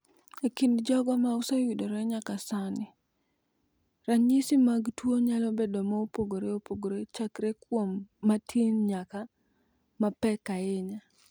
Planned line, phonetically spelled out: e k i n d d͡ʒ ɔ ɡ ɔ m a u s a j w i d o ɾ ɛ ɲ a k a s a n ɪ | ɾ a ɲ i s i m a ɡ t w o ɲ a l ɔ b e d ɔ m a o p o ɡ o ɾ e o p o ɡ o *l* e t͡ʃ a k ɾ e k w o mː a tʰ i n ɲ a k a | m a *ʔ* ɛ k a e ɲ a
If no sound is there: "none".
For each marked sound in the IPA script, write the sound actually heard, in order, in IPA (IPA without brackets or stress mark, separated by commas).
ɾ, p